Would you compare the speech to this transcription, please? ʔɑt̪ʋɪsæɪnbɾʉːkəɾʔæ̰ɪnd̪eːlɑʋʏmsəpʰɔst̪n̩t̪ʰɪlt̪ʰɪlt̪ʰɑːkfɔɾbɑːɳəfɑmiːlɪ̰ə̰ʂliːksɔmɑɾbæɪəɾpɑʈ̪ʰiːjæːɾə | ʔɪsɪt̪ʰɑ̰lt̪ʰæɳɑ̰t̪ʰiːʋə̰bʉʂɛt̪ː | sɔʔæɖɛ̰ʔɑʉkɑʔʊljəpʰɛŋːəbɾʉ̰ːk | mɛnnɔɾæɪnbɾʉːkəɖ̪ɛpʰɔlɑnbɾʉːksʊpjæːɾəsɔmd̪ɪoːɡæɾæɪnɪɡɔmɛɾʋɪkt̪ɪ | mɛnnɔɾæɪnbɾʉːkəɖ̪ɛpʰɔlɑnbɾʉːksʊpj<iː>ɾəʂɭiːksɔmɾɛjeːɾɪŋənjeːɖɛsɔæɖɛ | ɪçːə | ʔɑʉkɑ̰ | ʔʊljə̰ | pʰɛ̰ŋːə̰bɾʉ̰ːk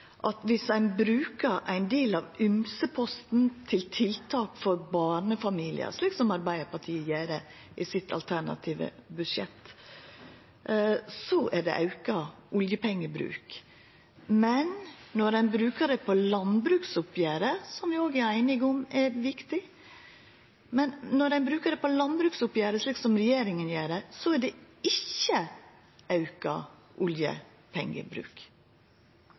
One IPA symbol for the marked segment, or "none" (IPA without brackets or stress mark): æː